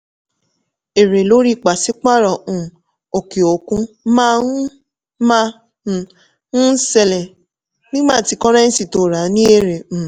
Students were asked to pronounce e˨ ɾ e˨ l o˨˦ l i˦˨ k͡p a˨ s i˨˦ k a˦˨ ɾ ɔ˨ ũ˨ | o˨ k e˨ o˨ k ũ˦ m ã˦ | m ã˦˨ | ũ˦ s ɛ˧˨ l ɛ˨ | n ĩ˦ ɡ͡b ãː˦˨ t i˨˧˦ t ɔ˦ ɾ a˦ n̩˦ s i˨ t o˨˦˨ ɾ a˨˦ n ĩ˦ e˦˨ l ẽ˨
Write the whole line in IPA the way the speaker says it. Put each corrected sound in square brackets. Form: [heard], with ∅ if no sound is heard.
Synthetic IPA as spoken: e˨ ɾ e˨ l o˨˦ [ɾ] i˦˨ k͡p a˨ s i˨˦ [k͡p] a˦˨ ɾ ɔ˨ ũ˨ | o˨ k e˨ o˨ k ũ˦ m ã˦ | m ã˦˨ | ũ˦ s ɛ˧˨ l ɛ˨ | n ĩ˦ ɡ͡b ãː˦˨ t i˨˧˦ [k] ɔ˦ ɾ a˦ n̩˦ s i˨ t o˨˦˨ ɾ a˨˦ n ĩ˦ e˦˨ [ɾ] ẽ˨